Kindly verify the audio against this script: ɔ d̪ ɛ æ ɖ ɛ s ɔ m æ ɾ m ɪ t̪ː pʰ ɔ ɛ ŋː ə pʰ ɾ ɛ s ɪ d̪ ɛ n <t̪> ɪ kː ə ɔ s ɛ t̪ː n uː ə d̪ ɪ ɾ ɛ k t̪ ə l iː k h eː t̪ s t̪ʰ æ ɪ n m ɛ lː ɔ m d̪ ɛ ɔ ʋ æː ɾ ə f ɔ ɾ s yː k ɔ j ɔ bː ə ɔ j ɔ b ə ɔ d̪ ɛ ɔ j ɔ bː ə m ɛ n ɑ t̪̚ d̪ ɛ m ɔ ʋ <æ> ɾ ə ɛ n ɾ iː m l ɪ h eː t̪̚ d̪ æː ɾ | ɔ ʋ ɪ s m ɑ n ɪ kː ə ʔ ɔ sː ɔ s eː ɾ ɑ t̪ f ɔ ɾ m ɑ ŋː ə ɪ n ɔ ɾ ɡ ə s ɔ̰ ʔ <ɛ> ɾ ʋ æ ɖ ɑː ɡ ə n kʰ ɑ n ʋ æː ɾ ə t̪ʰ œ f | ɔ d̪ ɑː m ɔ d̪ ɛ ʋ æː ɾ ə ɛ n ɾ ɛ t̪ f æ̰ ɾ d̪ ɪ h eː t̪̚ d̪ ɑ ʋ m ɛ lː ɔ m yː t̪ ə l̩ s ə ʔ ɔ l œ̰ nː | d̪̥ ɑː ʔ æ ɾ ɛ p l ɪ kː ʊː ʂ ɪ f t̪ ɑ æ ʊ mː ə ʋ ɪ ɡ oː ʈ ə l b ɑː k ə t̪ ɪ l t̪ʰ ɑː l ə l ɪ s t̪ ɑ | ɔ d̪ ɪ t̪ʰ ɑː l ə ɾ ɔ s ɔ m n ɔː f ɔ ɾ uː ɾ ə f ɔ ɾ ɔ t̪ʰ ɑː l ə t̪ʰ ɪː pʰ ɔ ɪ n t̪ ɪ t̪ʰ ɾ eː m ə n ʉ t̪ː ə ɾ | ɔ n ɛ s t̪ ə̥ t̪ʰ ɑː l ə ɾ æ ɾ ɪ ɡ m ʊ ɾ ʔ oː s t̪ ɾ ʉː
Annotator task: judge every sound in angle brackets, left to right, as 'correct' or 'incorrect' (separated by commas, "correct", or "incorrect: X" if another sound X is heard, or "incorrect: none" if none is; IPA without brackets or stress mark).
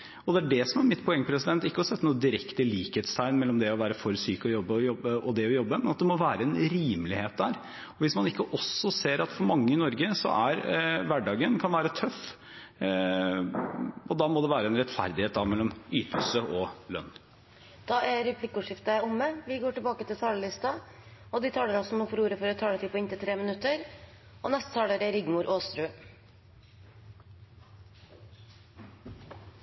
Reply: correct, incorrect: æː, incorrect: æ